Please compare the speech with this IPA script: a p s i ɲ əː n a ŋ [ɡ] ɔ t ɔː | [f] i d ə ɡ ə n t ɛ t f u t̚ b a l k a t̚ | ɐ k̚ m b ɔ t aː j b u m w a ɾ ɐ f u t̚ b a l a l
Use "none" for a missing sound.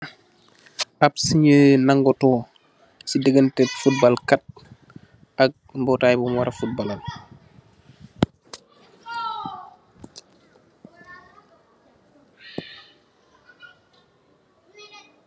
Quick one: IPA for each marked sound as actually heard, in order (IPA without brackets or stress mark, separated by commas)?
ɡ, s